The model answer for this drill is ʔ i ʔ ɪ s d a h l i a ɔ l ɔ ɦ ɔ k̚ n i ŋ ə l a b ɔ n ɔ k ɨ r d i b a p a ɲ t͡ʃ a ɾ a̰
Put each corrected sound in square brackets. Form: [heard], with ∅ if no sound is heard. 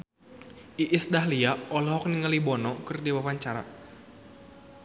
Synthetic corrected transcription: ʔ i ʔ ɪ s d a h l i a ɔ l ɔ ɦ ɔ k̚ n i ŋ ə l [i] b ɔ n ɔ k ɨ r d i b a p a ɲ t͡ʃ a ɾ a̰